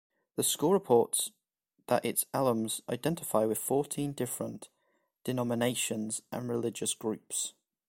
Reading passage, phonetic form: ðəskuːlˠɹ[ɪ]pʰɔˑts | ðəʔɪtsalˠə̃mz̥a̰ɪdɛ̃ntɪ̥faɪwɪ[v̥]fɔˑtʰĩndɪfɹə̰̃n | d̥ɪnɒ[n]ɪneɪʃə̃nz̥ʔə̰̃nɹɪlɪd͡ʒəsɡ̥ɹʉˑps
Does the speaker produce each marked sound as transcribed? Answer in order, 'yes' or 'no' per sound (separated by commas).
yes, no, no